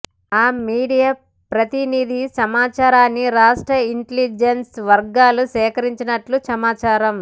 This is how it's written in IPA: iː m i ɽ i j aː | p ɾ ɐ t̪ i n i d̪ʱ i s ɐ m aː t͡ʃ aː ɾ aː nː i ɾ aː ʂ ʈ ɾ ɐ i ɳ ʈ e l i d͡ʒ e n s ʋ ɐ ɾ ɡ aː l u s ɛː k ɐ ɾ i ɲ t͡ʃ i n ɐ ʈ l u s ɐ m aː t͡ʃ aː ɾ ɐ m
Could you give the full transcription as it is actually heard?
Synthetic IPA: aː m iː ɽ i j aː | p ɾ ɐ t̪ i n i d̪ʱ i s ɐ m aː t͡ʃ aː ɾ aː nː i ɾ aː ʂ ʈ ɾ ɐ i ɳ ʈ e l i d͡ʒ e n s ʋ ɐ ɾ ɡ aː l u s ɛː k ɐ ɾ i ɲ t͡ʃ i n ɐ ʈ l u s ɐ m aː t͡ʃ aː ɾ ɐ m